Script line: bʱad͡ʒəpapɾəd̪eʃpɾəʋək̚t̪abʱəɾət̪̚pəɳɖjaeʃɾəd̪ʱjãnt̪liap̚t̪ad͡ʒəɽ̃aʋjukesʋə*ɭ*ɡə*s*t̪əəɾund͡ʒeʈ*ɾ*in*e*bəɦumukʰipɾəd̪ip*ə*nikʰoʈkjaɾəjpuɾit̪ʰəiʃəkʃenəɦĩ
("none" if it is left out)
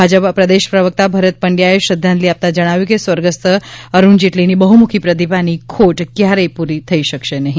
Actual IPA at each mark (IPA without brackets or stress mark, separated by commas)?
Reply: ɾ, s, l, i, a